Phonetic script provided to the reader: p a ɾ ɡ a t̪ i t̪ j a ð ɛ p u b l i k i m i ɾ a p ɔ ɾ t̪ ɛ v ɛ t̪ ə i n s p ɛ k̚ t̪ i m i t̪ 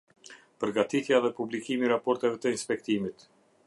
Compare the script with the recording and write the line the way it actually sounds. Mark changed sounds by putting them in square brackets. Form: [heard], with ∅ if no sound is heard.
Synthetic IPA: p [ə] ɾ ɡ a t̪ i t̪ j a ð ɛ p u b l i k i m i ɾ a p ɔ ɾ t̪ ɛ v ɛ t̪ ə i n s p ɛ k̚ t̪ i m i t̪